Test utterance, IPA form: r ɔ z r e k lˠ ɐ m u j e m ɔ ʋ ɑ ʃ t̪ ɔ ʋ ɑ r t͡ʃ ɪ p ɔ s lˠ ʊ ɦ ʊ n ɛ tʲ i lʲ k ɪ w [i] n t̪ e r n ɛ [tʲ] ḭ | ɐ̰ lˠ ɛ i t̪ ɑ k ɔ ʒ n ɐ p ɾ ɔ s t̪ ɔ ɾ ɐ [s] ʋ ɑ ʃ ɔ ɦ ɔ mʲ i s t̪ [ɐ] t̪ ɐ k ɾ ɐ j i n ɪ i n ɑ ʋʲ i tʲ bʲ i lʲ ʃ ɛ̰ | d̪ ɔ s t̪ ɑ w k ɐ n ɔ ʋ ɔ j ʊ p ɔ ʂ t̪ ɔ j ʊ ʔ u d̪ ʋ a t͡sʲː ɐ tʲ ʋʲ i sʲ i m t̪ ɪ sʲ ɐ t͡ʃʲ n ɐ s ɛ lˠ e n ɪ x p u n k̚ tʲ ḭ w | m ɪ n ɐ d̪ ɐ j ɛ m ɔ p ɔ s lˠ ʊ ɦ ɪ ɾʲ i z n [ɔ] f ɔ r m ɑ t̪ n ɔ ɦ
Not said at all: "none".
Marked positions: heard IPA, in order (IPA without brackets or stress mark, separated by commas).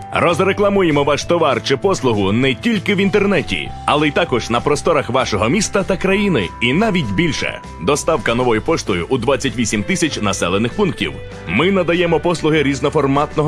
i, tʲ, x, ɐ, ɔ